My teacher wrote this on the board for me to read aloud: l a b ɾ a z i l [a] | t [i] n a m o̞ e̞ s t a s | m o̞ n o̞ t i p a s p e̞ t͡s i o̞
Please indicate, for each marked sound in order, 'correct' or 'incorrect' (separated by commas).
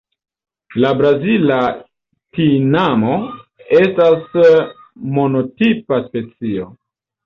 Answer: correct, correct